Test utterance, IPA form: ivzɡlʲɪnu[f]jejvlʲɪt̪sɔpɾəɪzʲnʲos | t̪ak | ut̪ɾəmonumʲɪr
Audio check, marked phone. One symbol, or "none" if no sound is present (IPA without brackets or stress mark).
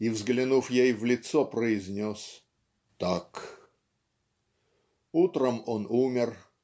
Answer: f